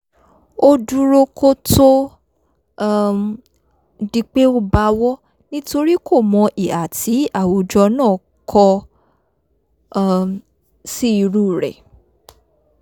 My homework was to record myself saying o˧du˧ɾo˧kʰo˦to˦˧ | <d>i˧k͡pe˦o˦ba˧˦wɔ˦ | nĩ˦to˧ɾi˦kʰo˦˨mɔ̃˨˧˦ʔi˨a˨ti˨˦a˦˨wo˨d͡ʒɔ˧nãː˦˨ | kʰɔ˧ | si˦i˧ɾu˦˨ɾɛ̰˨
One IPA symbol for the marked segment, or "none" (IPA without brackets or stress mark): d